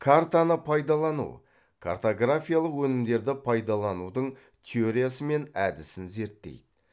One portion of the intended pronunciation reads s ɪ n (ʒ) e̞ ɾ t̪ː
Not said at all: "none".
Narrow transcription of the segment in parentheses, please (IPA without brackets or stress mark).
z